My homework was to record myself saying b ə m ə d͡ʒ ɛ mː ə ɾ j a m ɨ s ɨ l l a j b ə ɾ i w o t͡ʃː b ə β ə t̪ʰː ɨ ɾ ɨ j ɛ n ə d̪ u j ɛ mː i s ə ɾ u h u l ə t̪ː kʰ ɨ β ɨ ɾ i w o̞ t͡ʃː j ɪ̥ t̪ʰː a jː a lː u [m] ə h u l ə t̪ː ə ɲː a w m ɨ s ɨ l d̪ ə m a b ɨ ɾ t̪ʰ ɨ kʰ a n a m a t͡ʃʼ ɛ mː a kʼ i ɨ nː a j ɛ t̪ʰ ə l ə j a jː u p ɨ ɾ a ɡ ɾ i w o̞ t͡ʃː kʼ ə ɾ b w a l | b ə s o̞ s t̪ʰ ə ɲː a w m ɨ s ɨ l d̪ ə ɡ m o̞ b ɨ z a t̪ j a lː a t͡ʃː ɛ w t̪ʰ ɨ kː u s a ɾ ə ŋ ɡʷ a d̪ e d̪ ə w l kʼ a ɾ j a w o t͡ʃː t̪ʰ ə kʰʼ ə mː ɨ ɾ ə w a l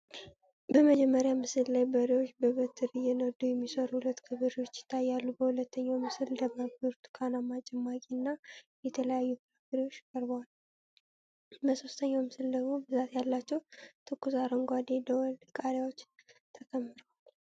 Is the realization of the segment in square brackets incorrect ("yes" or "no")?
yes